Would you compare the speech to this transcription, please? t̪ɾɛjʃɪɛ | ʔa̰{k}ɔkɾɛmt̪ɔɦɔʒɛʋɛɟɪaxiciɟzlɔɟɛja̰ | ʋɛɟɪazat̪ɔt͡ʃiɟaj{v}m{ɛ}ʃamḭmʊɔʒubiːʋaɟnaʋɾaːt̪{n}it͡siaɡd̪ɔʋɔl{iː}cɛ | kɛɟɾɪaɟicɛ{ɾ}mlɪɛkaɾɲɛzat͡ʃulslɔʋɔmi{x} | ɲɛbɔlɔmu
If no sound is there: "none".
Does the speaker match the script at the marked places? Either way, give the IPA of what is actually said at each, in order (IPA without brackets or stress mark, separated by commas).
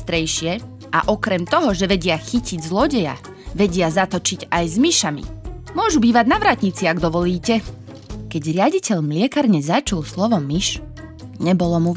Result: ʔ, z, i, ɲ, iː, ʎ, ʃ